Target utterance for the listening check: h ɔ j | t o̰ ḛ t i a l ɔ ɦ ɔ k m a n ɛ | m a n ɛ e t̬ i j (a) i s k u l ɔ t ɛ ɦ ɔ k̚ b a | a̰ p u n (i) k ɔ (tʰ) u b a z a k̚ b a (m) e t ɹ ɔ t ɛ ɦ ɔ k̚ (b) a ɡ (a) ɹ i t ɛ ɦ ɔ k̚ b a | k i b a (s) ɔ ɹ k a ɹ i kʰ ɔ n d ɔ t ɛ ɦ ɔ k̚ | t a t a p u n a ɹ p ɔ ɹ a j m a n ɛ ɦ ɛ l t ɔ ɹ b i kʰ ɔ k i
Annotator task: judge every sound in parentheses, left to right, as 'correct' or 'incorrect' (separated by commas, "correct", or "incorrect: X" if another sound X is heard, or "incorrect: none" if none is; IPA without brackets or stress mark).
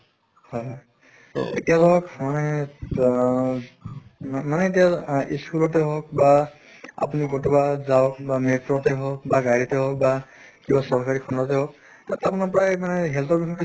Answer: correct, correct, incorrect: t, correct, correct, correct, correct